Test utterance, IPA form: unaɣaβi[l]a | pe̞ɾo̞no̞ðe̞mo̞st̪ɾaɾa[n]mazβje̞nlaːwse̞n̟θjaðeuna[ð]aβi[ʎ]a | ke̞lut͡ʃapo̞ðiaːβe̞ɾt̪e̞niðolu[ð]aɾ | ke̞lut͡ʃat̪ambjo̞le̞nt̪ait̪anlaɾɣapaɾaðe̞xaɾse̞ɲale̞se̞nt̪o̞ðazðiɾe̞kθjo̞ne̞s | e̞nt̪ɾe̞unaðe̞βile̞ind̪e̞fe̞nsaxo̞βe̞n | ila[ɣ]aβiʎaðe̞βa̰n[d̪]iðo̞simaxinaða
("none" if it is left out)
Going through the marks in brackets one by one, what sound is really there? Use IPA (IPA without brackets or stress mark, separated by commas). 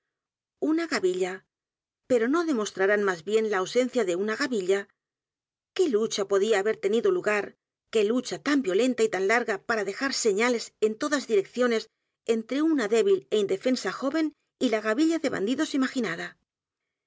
ʎ, n, ɣ, ʎ, ɣ, ɣ, d̪